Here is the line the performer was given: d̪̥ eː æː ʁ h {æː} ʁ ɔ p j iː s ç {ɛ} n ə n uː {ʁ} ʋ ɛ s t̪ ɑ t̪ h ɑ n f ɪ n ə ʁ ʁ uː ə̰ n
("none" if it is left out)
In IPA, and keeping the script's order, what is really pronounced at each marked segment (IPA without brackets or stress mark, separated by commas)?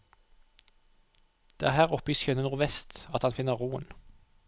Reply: æː, œ, ʁ